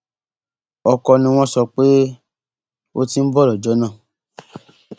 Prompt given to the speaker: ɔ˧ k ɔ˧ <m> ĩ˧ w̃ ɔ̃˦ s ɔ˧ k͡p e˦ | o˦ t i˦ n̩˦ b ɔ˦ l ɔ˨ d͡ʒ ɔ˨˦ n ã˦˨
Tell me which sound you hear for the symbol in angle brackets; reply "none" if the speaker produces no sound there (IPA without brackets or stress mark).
n